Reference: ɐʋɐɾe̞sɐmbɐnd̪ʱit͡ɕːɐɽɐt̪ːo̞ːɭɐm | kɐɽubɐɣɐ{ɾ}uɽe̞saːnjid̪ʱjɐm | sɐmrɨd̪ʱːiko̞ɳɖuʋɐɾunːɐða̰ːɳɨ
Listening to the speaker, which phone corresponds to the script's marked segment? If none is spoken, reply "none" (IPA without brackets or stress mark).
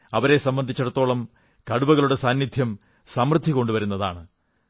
ɭ